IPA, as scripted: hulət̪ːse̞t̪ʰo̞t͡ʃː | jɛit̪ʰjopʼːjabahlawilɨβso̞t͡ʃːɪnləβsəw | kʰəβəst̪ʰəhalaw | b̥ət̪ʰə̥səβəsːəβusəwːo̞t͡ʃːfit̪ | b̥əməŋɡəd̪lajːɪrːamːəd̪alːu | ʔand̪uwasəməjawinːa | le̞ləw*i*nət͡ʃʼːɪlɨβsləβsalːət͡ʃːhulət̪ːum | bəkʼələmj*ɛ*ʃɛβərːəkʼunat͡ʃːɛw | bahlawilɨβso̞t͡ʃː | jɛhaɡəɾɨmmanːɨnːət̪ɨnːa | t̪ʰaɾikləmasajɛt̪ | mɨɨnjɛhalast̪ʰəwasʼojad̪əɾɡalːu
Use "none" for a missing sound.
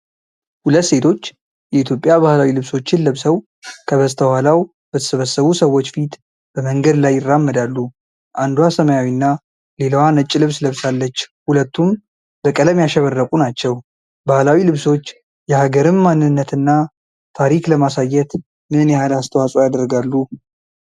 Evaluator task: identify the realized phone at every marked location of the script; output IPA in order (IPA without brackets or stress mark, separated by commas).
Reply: a, a